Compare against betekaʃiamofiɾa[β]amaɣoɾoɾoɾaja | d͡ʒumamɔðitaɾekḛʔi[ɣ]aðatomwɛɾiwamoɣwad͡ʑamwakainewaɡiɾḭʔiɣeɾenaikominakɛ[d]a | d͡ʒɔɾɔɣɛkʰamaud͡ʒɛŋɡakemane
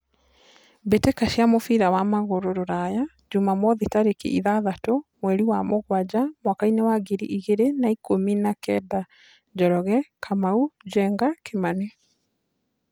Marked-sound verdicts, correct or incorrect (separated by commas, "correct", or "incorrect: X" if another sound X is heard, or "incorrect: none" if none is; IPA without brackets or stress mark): incorrect: w, incorrect: ð, correct